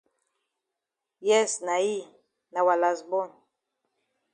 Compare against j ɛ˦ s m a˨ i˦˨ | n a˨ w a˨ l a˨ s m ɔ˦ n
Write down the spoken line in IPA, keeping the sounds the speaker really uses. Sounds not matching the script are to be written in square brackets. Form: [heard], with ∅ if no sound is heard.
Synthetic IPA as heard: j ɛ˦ s [n] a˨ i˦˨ | n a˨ w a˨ l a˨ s [b] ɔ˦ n